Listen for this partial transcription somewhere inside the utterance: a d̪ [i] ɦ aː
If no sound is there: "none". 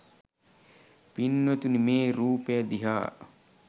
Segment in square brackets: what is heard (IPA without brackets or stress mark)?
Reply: i